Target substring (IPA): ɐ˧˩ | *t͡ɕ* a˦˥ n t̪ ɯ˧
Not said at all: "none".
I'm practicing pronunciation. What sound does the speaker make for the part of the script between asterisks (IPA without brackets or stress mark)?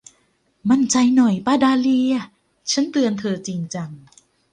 t͡ɕʰ